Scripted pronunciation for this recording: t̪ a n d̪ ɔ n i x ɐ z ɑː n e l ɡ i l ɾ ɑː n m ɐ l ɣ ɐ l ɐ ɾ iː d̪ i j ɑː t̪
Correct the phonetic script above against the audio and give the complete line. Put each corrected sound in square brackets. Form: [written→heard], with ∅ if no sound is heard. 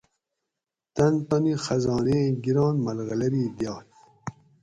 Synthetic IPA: t̪ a n [d̪→t̪] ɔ n i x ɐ z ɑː n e [l→∅] ɡ i [l→∅] ɾ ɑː n m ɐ l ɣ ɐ l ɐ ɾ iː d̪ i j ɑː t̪